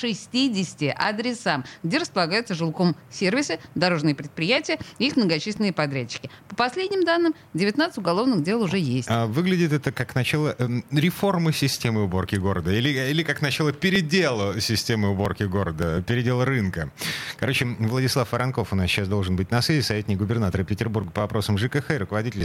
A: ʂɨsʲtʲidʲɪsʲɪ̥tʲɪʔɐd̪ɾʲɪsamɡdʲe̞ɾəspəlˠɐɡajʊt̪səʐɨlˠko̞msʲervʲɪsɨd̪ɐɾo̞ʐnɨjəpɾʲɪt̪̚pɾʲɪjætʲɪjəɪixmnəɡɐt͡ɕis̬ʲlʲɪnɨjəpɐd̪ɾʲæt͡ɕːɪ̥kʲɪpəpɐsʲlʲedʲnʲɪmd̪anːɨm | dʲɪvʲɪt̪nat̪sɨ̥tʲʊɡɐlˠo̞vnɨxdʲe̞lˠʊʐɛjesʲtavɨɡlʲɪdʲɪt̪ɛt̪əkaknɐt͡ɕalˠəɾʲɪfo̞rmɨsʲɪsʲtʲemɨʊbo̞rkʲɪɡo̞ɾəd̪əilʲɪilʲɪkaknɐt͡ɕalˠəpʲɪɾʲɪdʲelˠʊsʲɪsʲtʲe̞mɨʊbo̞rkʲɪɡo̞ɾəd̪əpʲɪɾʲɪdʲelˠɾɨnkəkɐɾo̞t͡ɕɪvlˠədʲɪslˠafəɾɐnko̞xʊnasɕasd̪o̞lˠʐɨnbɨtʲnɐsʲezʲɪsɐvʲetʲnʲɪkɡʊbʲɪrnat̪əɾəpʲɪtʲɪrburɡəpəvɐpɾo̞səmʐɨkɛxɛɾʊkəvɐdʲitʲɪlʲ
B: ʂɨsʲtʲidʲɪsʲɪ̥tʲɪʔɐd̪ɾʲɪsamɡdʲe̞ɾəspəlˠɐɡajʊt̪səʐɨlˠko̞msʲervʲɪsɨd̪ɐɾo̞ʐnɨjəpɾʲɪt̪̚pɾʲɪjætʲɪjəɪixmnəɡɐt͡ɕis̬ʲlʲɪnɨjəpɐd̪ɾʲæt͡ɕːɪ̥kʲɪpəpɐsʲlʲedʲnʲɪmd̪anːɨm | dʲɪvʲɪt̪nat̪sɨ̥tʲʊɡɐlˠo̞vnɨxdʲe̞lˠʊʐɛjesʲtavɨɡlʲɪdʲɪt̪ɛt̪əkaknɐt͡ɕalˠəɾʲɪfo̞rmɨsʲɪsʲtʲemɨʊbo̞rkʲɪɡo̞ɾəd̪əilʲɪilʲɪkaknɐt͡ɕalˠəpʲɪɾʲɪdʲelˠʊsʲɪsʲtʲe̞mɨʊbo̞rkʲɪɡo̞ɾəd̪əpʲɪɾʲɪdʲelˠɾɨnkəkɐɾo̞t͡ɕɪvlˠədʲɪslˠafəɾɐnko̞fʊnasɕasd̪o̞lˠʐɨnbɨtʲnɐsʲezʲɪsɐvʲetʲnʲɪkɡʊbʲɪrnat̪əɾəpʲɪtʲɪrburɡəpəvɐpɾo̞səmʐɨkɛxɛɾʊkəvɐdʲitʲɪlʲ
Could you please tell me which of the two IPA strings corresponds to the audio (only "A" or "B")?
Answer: B